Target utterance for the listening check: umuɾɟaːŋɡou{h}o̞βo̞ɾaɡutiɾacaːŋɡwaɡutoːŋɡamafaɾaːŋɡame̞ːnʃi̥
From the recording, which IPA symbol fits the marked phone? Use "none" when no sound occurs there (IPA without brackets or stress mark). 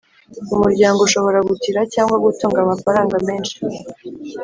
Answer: ʃ